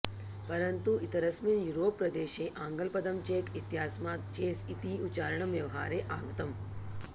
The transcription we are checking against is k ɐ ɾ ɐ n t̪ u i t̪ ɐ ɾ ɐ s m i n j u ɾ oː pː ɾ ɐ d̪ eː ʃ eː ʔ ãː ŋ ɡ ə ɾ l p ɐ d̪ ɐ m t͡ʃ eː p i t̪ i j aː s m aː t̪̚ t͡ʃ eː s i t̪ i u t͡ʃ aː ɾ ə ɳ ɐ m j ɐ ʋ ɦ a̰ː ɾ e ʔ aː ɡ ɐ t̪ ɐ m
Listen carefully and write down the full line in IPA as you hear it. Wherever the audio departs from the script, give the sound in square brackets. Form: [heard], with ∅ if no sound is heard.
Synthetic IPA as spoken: [p] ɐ ɾ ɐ n t̪ u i t̪ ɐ ɾ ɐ s m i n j u ɾ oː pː ɾ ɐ d̪ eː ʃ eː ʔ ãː ŋ ɡ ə [∅] l p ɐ d̪ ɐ m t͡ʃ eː [k] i t̪ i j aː s m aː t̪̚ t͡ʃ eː s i t̪ i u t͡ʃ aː ɾ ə ɳ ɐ m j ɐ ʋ ɦ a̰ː ɾ e ʔ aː ɡ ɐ t̪ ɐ m